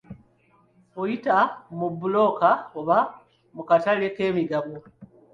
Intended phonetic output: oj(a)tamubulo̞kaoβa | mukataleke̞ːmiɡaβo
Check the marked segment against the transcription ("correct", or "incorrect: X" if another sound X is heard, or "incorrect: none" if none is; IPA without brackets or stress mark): incorrect: i